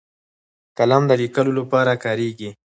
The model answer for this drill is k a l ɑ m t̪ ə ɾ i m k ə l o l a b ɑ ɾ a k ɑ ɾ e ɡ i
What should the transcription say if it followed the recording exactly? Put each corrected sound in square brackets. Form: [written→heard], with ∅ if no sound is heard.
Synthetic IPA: k a l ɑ m [t̪→d̪] ə [ɾ→l] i [m→∅] k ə l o l a [b→p] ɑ ɾ a k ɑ ɾ e ɡ i

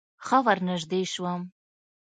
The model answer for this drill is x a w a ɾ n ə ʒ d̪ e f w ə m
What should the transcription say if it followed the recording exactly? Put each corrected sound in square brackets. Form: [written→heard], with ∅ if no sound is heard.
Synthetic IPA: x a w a ɾ n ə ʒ d̪ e [f→ʃ] w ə m

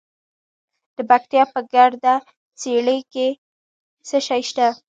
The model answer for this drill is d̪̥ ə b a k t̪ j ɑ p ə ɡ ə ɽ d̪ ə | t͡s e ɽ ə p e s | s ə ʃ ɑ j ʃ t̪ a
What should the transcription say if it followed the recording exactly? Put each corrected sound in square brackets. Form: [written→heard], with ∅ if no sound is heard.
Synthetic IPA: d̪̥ ə b a k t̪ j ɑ p ə ɡ [ə→a] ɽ d̪ [ə→a] | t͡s e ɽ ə [p→k] e [s→∅] | s ə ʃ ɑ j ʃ t̪ a

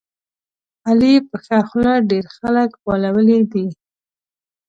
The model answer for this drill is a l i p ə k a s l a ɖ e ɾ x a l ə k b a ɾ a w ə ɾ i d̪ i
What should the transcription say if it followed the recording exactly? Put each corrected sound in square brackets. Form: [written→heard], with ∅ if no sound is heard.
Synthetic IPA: a l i p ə [k→x] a [s→x] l a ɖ e ɾ x a l ə k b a [ɾ→l] a w ə [ɾ→l] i d̪ i

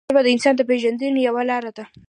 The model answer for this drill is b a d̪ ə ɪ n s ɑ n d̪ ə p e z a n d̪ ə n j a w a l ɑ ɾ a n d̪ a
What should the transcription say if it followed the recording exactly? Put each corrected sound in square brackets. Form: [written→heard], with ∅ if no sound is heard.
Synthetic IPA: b a d̪ ə ɪ n s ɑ n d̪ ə p e [z→ʒ] a n d̪ ə n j a w a l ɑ ɾ a [n→∅] d̪ a

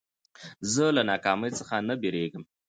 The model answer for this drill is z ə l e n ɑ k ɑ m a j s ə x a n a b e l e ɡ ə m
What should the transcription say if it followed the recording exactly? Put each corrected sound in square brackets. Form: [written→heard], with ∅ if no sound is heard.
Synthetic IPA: z ə l [e→a] n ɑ k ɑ m [a→ə] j [s→t͡s] ə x a n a b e [l→ɾ] e ɡ ə m

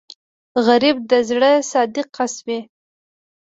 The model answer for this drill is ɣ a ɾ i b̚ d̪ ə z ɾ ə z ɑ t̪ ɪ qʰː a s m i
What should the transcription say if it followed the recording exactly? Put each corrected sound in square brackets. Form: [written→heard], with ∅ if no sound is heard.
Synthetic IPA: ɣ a ɾ i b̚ d̪ ə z [ɾ→ɽ] ə [z→s] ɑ [t̪→d̪] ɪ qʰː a s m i

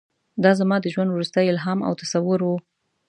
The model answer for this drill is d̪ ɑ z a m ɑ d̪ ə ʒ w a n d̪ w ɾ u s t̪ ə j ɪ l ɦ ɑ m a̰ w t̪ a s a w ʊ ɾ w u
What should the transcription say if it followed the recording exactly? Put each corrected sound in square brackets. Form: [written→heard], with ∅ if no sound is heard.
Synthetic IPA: d̪ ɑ z a m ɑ d̪ ə ʒ w a n d̪ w ɾ u s t̪ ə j ɪ l ɦ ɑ m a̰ w t̪ a s a w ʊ ɾ w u

